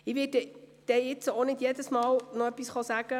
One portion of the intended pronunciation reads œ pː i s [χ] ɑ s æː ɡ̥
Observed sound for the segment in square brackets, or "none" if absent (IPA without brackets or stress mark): χ